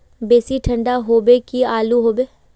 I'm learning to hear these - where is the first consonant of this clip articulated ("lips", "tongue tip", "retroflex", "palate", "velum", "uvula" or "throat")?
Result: lips